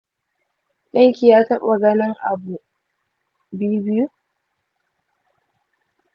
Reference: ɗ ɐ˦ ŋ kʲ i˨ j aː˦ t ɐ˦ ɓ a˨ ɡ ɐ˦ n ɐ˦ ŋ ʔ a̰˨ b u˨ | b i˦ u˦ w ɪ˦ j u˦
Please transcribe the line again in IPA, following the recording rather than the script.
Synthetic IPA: ɗ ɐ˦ ŋ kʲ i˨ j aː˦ t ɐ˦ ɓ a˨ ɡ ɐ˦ n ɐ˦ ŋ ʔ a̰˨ b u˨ | b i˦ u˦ b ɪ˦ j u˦